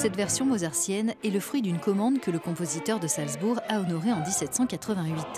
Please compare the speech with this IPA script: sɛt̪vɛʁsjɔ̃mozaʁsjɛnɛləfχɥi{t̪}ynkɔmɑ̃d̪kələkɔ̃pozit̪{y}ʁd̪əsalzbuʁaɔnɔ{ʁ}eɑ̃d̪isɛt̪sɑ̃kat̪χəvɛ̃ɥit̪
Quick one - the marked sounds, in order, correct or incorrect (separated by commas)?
incorrect, incorrect, correct